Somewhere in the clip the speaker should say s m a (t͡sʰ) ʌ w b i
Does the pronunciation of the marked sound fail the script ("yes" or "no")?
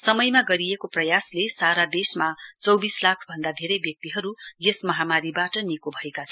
yes